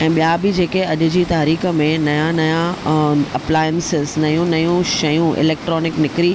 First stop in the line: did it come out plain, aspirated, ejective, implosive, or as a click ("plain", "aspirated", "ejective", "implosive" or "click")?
implosive